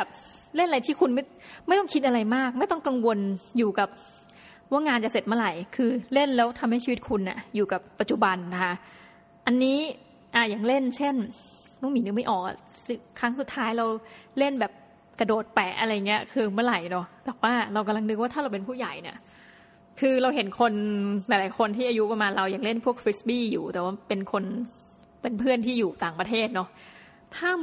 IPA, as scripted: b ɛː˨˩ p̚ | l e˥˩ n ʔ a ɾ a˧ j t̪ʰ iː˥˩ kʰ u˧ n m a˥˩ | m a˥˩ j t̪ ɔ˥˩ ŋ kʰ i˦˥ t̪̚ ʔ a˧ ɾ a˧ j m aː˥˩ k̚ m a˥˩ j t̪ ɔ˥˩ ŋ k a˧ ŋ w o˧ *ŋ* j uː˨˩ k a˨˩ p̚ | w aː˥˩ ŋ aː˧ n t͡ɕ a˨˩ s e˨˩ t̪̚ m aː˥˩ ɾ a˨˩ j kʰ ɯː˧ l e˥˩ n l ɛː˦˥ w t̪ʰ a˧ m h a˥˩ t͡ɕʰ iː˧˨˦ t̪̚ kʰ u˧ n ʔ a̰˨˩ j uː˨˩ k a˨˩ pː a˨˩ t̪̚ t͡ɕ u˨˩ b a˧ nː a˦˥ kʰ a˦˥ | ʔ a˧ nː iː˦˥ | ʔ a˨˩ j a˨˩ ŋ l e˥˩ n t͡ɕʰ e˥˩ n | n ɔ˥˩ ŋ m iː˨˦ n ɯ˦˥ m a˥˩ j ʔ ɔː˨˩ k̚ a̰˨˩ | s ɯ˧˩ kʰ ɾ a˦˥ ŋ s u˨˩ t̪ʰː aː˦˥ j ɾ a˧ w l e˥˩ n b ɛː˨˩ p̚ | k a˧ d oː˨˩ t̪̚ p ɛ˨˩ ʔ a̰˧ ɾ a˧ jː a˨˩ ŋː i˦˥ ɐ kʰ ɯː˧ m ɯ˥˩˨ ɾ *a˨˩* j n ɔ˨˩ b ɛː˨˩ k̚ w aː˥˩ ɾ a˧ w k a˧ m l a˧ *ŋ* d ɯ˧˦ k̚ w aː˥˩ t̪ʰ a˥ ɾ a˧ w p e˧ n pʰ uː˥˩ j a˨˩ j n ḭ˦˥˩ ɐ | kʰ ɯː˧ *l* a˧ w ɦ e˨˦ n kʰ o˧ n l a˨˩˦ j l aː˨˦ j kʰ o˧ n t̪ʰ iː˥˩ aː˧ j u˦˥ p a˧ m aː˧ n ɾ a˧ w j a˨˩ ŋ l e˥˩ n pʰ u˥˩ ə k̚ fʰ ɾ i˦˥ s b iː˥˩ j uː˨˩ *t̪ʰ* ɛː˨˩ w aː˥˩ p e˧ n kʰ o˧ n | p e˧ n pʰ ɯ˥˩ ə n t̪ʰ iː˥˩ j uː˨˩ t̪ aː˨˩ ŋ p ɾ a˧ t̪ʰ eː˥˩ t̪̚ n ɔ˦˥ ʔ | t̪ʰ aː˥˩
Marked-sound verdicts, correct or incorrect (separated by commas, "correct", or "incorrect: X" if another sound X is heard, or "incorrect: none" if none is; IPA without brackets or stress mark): incorrect: n, correct, correct, incorrect: ɾ, incorrect: t̪